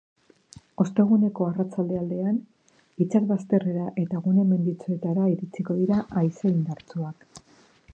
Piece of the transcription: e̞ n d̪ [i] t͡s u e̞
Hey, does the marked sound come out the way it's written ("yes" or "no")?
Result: yes